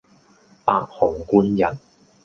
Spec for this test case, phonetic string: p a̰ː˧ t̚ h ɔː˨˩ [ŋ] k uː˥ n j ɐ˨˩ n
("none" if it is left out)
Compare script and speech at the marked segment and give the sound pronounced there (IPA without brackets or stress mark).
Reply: ŋ